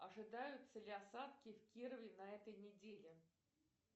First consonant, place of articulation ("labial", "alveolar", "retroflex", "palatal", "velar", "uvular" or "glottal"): retroflex